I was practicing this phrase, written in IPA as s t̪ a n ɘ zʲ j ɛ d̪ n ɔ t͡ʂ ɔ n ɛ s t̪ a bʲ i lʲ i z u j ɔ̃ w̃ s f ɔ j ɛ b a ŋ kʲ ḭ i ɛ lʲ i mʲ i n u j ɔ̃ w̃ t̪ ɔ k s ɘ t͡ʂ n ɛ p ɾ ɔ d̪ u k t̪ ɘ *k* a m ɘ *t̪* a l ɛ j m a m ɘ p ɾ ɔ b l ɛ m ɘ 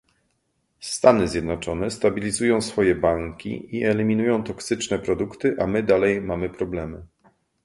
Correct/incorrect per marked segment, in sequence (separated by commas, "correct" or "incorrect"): incorrect, incorrect